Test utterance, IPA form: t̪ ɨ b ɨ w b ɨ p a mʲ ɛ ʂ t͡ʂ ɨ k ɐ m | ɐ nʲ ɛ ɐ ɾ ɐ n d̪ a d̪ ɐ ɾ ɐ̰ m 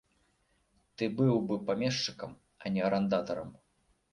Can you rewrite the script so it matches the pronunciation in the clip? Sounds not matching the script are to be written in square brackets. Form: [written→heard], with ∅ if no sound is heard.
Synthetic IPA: t̪ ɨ b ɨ w b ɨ p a mʲ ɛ ʂ t͡ʂ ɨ k ɐ m | ɐ nʲ ɛ ɐ ɾ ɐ n d̪ a [d̪→t̪] ɐ ɾ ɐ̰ m